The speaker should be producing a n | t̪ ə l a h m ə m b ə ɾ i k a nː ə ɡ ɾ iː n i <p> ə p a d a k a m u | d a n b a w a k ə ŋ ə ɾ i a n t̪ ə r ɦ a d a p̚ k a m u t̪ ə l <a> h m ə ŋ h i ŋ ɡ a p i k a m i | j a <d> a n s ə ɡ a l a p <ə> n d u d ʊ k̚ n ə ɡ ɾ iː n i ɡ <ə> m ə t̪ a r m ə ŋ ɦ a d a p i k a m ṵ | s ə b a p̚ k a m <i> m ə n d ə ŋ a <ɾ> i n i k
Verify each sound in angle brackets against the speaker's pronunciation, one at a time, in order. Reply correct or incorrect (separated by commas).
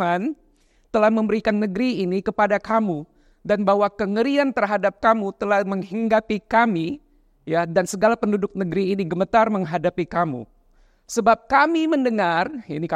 incorrect, correct, correct, correct, correct, correct, incorrect